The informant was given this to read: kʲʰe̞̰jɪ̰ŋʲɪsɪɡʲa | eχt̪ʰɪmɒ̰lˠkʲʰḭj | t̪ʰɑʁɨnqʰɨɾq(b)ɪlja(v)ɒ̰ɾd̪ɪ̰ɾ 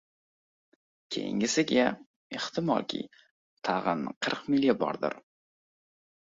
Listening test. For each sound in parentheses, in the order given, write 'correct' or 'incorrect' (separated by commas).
incorrect, incorrect